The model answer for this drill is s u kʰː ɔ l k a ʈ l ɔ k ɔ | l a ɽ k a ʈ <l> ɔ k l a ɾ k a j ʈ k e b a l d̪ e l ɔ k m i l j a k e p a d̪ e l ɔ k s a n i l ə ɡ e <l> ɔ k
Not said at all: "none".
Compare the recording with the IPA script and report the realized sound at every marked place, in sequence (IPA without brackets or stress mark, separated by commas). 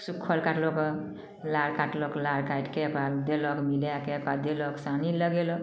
l, l